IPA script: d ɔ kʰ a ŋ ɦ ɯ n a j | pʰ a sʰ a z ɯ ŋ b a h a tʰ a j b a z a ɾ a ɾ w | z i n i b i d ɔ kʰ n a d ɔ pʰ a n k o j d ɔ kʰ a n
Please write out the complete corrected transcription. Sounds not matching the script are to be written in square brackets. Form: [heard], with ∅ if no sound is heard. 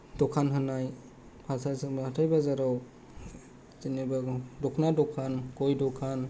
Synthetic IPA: d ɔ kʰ a [n] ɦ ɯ n a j | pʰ a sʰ a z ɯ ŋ b a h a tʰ a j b a z a ɾ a [∅] w | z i n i b [a] d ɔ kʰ n a d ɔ [kʰ] a n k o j d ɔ kʰ a n